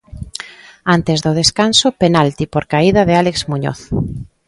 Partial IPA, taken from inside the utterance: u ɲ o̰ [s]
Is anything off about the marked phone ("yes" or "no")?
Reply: yes